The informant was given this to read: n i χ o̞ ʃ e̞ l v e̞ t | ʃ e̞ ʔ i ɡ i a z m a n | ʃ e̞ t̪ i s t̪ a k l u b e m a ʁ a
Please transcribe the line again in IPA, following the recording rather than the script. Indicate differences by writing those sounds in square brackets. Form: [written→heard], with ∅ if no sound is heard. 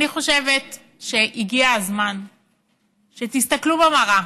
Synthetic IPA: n i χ o̞ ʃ e̞ [l→∅] v e̞ t | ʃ e̞ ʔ i ɡ i a z m a n | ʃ e̞ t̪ i s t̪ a k l u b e m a ʁ a

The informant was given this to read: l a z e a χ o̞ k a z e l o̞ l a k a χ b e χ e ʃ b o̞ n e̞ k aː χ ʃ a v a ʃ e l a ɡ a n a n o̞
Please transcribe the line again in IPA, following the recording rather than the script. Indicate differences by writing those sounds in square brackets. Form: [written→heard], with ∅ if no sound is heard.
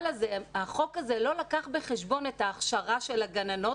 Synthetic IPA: l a z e a χ o̞ k a z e l o̞ l a k a χ b e χ e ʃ b o̞ n e̞ [k→t] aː χ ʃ a [v→ʁ] a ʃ e l a ɡ a n a n o̞

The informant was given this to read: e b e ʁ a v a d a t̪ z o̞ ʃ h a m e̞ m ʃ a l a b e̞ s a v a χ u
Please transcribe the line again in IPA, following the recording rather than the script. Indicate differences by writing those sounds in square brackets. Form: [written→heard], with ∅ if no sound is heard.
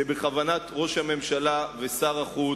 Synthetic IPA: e b e [ʁ→χ] a v a [d→n] a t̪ [z→ʁ] o̞ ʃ h a m e̞ m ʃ a l a [b→v] e̞ s a [v→ʁ] a χ u

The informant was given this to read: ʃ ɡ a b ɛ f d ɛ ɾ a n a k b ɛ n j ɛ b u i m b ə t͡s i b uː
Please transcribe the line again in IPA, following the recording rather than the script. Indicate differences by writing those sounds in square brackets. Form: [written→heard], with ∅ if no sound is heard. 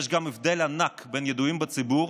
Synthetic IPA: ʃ ɡ a [b→m] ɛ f d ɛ [ɾ→l] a n a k b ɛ n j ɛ [b→d] u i m b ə t͡s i b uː

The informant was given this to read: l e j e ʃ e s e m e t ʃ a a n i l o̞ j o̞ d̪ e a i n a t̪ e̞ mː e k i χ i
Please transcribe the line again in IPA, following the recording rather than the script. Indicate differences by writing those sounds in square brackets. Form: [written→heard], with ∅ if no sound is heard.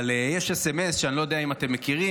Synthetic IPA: l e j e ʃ e s e m e [t→s] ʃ [a→e] a n i l o̞ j o̞ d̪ e a i [n→m] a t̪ e̞ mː e k i [χ→ʁ] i

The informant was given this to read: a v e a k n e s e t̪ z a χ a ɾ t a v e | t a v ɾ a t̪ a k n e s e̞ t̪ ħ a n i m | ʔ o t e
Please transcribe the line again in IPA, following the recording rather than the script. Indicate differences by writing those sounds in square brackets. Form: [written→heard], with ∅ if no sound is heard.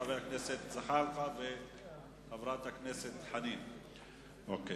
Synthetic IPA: a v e a k n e s e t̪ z a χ a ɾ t a v e | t a v ɾ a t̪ a k n e s e̞ t̪ ħ a n i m | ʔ o [t→k] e

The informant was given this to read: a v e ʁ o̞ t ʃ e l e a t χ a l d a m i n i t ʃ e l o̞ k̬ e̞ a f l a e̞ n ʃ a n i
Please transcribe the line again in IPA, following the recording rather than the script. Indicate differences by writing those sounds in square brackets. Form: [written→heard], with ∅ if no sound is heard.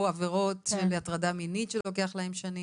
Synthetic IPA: a v e ʁ o̞ t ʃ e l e a t [χ→ʁ] a [l→∅] d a m i n i t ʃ e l o̞ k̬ e̞ a [f→χ] l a e̞ [n→m] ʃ a n i

